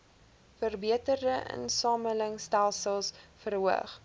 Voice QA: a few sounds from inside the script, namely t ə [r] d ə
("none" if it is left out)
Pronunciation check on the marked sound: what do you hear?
r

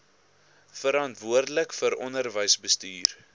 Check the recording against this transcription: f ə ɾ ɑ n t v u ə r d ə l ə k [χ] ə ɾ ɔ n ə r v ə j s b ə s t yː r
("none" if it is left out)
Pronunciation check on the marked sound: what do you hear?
f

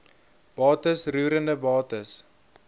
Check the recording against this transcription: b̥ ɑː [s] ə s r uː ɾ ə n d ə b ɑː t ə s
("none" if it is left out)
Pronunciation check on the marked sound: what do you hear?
t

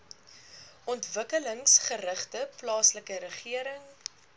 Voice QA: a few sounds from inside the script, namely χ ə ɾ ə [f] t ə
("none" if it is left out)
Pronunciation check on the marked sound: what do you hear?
χ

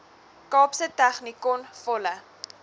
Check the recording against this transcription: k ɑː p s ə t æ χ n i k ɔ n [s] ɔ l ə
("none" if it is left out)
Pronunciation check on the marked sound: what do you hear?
f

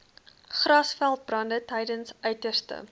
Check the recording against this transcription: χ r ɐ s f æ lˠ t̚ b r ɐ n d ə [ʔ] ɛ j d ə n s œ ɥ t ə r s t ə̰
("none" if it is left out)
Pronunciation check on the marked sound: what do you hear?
t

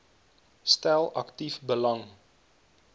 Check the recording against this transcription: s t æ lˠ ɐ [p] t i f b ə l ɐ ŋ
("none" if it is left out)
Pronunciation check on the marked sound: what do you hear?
k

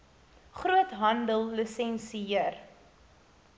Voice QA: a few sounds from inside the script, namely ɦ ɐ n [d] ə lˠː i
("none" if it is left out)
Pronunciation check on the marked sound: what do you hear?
d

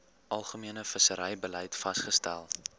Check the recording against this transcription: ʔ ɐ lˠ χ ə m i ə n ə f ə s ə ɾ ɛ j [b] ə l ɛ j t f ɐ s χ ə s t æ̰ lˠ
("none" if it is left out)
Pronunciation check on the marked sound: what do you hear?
b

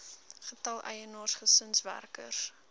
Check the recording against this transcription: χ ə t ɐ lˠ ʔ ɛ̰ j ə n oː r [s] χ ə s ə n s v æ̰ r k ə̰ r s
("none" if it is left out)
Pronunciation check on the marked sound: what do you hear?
s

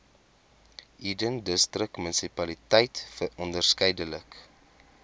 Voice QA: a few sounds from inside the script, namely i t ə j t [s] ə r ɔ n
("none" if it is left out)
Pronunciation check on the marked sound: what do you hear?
f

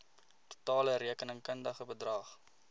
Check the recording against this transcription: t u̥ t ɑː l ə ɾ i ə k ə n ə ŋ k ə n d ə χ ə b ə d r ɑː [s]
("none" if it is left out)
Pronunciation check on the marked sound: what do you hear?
χ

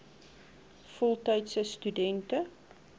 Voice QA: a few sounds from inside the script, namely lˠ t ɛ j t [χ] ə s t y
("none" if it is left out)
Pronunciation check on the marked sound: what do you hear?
s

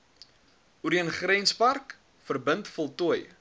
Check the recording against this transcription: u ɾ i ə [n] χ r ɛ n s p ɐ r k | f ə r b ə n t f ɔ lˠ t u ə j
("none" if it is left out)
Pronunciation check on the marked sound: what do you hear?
n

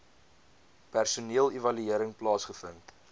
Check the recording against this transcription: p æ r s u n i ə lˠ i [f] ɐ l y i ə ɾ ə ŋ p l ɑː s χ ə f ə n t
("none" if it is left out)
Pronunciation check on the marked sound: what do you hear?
v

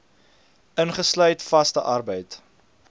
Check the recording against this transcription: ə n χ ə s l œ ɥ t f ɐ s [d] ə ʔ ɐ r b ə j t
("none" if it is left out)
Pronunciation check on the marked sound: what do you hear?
t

